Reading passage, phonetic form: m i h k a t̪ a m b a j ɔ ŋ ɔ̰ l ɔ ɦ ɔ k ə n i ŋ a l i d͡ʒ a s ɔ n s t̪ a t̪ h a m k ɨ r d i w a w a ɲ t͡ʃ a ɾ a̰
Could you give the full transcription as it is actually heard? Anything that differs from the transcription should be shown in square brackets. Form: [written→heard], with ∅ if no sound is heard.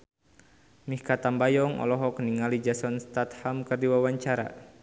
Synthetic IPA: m i h k a t̪ a m b a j ɔ ŋ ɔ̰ l ɔ ɦ ɔ k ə n i ŋ a l i d͡ʒ a s ɔ n s t̪ a t̪ h a m k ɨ r d i w a w a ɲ t͡ʃ a ɾ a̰